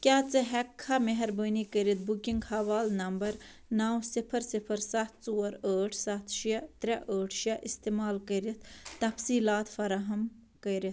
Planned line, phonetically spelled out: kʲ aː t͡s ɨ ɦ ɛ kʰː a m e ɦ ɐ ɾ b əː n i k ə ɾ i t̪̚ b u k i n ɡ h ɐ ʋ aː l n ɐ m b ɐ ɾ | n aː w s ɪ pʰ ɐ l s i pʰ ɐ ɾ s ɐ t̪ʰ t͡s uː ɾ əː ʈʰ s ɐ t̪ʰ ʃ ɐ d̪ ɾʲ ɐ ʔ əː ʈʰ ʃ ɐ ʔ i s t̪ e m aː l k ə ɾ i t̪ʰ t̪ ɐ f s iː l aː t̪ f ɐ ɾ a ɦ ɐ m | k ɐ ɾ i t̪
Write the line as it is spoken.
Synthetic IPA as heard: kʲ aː t͡s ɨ ɦ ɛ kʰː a m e ɦ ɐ ɾ b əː n i k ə ɾ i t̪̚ b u k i ŋ ɡ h ɐ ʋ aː l n ɐ m b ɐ ɾ | n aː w s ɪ pʰ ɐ ɾ s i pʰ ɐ ɾ s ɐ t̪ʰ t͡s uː ɾ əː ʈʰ s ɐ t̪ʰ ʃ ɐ t̪ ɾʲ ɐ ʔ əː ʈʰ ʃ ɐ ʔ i s t̪ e m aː l k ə ɾ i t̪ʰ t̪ ɐ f s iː l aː t̪ f ɐ ɾ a ɦ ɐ m | k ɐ ɾ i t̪

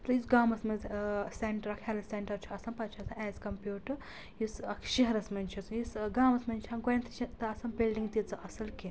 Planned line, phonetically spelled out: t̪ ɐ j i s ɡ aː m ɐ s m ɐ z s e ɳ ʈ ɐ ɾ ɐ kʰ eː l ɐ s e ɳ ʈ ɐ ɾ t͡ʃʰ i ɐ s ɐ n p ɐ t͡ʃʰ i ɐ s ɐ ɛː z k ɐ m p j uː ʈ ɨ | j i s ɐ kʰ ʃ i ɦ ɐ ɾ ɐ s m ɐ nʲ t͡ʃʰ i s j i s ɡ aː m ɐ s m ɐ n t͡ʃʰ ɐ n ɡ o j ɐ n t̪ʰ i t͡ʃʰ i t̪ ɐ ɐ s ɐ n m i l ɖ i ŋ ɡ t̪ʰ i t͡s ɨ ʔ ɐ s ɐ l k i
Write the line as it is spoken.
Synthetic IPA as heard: t̪ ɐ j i s ɡ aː m ɐ s m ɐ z s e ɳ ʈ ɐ ɾ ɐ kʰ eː l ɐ s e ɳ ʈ ɐ ɾ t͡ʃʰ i ɐ s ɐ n p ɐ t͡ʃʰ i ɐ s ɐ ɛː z k ɐ m p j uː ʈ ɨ | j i s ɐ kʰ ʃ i ɦ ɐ ɾ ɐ s m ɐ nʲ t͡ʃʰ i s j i s ɡ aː m ɐ s m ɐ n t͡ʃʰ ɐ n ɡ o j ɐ n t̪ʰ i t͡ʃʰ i t̪ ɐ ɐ s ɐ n b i l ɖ i ŋ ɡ t̪ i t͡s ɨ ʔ ɐ s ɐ l k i

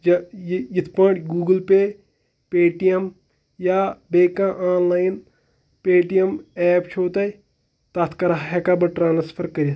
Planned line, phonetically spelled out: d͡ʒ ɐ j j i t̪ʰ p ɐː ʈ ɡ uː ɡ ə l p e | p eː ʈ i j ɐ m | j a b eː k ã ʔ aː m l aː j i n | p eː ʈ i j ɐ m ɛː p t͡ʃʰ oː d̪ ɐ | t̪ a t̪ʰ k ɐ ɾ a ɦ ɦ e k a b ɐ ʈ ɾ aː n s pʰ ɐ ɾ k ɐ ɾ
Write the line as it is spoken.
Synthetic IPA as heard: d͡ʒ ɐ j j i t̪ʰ p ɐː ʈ ɡ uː ɡ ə l p e | p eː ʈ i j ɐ m | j a b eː k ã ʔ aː n l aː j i n | p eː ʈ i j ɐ m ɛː p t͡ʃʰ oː t̪ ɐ | t̪ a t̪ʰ k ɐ ɾ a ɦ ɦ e k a b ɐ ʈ ɾ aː n s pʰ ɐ ɾ k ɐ ɾ

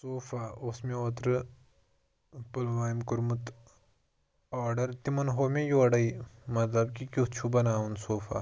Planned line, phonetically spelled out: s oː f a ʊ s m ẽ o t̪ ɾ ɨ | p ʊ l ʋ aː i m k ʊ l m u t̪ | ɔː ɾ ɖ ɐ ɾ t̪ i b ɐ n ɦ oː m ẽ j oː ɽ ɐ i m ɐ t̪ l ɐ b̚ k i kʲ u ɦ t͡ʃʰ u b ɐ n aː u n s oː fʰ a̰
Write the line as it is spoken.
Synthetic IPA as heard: s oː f a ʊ s m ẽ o t̪ ɾ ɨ | p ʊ l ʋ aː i m k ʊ ɾ m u t̪ | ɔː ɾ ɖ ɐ ɾ t̪ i m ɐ n ɦ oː m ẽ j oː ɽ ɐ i m ɐ t̪ l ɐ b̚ k i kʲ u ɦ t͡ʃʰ u b ɐ n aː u n s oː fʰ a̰

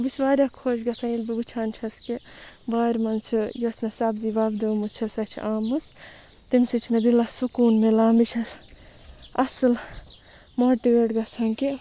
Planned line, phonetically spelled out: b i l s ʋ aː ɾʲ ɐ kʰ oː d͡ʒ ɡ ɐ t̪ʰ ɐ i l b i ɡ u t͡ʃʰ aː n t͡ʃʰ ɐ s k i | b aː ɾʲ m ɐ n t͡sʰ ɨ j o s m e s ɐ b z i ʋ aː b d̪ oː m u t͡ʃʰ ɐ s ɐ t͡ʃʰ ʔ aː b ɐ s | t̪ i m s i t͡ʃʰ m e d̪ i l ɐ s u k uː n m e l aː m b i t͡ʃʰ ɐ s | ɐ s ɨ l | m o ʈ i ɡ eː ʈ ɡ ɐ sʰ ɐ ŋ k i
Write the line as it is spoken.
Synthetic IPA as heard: b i s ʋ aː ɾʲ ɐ kʰ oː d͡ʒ ɡ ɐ t̪ʰ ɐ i l b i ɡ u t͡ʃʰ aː n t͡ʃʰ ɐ s k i | b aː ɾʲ m ɐ n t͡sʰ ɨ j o s m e s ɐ b z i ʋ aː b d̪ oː m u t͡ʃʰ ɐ s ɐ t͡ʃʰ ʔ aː m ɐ s | t̪ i m s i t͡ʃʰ m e d̪ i l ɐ s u k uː n m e l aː m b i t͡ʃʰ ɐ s | ɐ s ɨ l | m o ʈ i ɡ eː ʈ ɡ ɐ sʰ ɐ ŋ k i

